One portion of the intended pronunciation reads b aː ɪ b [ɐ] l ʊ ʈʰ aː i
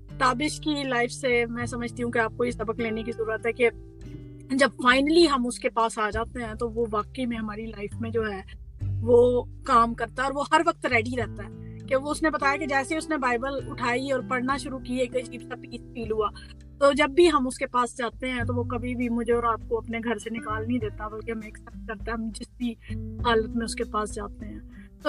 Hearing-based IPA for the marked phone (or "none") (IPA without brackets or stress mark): ə